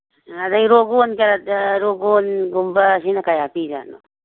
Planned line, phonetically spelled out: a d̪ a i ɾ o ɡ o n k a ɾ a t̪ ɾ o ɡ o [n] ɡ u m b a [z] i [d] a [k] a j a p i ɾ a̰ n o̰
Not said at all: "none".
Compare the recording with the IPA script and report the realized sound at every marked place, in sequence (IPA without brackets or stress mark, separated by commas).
n, s, n, k